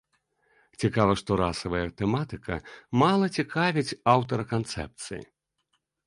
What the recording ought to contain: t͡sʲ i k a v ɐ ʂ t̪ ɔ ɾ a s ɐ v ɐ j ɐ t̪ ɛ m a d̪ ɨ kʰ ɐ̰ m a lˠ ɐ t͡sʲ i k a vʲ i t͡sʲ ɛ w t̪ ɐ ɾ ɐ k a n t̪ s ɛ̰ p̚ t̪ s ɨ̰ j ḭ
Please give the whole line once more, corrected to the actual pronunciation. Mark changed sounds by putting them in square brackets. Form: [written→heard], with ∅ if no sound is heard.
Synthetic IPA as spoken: t͡sʲ i k a v ɐ ʂ t̪ ɔ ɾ a s ɐ v ɐ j ɐ t̪ ɛ m a [d̪→t̪] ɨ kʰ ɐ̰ m a lˠ ɐ t͡sʲ i k a vʲ i t͡sʲ [ɛ→a] w t̪ ɐ ɾ ɐ k a n t̪ s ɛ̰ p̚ t̪ s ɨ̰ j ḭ